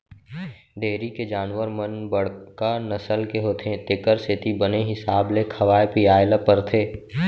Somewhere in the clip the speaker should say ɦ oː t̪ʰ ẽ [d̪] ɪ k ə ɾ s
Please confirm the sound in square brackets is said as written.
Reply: no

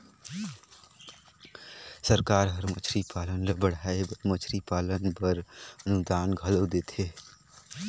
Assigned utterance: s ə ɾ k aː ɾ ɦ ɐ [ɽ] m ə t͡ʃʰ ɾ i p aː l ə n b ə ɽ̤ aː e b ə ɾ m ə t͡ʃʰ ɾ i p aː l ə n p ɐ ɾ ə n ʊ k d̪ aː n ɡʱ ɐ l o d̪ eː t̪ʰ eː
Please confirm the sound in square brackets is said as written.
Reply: no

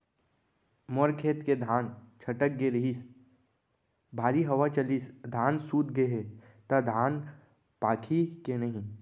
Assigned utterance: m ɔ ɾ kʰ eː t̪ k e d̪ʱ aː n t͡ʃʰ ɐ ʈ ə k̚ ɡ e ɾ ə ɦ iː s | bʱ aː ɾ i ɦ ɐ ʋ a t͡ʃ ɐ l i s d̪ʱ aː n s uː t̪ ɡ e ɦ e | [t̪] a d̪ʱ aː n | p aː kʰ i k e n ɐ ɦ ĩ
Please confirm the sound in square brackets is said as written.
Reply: yes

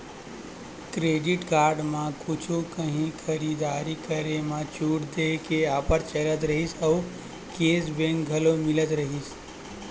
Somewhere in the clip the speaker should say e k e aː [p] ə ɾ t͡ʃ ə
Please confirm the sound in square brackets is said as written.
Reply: yes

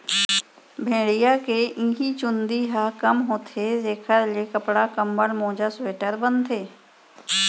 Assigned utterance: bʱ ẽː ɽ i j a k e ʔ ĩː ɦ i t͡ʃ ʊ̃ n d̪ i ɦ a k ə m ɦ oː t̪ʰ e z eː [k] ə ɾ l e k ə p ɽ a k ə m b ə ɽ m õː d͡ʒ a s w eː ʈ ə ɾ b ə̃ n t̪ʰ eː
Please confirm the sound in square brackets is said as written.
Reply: no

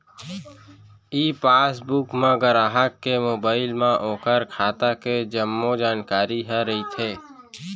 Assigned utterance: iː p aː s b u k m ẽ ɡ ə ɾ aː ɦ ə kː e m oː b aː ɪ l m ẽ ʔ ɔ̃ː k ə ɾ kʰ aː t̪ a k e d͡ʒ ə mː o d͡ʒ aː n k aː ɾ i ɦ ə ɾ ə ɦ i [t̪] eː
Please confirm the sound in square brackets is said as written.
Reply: no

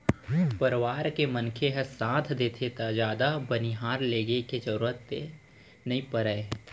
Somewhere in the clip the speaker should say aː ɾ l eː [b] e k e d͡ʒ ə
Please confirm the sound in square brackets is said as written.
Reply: no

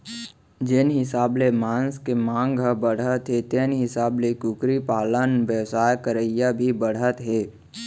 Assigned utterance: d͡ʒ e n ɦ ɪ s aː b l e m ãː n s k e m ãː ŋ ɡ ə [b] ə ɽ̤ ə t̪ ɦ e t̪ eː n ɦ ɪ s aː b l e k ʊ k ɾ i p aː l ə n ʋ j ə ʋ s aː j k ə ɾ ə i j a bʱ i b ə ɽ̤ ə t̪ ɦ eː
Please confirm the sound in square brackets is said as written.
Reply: yes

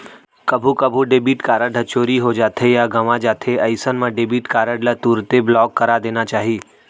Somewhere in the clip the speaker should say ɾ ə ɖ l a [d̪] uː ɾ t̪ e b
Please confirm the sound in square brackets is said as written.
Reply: no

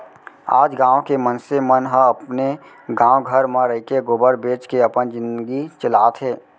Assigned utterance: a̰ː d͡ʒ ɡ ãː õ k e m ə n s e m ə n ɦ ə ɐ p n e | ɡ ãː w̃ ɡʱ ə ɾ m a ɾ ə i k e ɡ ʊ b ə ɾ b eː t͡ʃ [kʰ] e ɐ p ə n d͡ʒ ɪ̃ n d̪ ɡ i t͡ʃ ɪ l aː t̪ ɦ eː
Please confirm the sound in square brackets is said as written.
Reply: no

